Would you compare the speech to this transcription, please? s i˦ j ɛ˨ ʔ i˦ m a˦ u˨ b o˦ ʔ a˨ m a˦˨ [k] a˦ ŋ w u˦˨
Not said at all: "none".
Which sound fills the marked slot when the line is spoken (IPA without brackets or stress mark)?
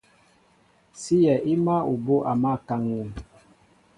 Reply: k